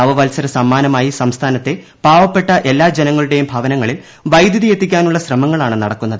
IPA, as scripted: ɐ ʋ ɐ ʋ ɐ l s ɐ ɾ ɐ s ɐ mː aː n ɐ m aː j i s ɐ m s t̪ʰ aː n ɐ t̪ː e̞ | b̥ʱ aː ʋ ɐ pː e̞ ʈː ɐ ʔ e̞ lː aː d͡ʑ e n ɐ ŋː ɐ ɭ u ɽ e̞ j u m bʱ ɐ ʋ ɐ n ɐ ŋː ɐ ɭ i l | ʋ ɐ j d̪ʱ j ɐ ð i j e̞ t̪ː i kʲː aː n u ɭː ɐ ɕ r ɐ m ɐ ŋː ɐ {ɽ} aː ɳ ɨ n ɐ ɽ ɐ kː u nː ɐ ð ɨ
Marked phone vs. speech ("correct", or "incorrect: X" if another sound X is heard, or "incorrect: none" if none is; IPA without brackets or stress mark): incorrect: ɭ